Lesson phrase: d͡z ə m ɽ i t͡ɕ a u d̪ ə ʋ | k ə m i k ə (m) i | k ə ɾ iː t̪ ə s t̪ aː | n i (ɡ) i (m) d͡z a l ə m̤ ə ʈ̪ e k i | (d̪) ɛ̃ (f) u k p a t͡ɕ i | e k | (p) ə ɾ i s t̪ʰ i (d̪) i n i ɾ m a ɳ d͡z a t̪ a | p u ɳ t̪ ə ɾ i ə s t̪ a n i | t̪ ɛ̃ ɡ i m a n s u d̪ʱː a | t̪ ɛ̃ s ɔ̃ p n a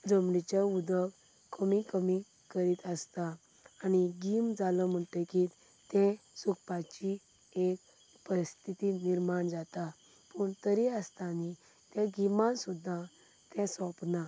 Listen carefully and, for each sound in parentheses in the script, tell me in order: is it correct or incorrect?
correct, correct, correct, incorrect: t̪, incorrect: s, correct, incorrect: t̪

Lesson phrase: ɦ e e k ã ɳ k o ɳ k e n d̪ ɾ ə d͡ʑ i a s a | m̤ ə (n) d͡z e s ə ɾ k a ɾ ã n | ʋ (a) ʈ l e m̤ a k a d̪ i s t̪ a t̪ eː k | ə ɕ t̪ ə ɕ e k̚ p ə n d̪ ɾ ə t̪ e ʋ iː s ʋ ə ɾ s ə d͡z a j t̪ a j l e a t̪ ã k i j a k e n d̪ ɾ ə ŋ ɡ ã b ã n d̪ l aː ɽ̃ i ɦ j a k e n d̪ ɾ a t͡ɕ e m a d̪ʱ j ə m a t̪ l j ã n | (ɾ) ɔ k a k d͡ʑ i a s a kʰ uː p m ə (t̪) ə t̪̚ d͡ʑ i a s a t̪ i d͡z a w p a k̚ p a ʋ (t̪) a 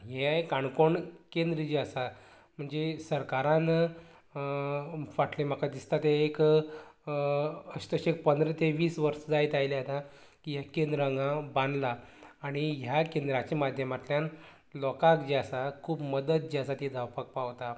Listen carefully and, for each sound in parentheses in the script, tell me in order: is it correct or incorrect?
incorrect: ɳ, correct, incorrect: l, incorrect: d̪, correct

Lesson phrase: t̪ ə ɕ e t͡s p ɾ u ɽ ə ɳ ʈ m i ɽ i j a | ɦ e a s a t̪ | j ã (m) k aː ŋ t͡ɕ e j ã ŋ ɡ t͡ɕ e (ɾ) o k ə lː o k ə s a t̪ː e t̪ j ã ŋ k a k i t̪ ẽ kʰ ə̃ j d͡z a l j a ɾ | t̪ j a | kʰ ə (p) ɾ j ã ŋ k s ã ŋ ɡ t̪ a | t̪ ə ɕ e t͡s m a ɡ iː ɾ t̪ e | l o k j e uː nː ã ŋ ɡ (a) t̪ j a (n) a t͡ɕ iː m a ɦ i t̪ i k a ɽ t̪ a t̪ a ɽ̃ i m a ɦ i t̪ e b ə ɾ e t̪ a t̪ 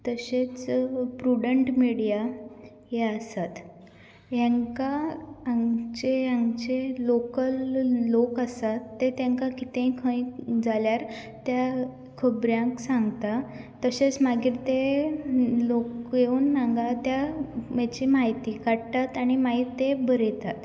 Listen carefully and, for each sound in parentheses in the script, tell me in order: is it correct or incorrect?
incorrect: ŋ, incorrect: l, incorrect: b, correct, incorrect: m

